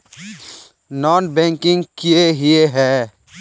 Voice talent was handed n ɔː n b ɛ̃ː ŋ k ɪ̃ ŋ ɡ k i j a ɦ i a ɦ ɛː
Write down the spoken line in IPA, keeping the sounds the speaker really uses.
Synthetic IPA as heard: n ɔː n b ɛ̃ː ŋ k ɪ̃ ŋ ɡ k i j e ɦ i e ɦ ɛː